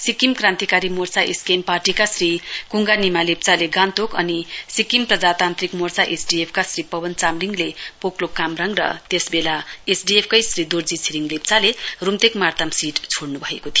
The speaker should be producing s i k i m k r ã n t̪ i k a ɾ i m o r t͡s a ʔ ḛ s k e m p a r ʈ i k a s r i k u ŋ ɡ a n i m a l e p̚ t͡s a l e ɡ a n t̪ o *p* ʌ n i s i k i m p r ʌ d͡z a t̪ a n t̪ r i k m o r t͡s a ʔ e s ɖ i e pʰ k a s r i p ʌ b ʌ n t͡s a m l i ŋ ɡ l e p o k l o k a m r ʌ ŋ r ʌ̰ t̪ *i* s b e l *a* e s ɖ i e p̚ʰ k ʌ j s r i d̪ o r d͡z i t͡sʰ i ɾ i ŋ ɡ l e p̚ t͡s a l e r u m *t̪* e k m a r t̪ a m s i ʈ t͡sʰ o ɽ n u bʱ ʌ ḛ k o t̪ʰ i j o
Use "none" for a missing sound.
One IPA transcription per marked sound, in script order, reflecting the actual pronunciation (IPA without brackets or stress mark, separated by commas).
k, e, a, t̪